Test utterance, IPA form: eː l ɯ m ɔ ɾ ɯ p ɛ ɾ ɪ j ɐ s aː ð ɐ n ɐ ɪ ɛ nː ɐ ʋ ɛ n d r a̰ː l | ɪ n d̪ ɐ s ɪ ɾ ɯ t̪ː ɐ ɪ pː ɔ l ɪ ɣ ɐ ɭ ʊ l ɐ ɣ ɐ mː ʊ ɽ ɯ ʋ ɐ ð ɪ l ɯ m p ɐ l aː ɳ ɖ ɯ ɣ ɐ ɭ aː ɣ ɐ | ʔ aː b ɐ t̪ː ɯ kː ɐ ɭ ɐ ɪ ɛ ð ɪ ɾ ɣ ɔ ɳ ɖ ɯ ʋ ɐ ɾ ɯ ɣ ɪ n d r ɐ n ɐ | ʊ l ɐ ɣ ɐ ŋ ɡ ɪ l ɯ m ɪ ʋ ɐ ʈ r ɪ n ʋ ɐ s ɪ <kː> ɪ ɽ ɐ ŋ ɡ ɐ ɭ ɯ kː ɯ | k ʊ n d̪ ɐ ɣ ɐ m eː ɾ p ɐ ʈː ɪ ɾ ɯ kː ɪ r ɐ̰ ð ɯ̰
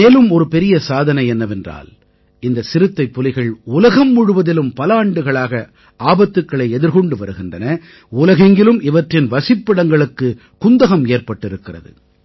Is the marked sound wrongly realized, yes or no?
yes